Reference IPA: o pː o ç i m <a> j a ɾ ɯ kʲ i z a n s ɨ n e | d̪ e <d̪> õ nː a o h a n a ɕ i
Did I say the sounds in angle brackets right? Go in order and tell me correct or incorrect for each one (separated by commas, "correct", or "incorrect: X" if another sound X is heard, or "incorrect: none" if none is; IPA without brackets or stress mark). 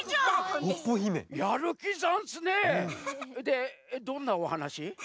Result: incorrect: e, correct